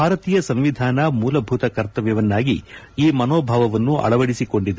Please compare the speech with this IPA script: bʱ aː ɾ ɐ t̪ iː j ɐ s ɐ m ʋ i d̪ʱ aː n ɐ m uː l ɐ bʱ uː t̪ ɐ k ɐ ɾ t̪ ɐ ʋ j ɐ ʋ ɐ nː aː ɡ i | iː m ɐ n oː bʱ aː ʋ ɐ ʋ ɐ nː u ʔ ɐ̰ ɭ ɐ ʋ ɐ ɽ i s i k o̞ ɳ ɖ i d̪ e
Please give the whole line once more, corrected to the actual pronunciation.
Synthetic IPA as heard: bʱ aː ɾ ɐ t̪ iː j ɐ s ɐ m ʋ i d̪ʱ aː n ɐ m uː l ɐ bʱ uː t̪ ɐ k ɐ ɾ t̪ ɐ ʋ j ɐ ʋ ɐ nː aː ɡ i | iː m ɐ n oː bʱ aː ʋ ɐ ʋ ɐ nː u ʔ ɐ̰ ɭ ɐ ʋ ɐ ɽ i s i k o̞ ɳ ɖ i d̪ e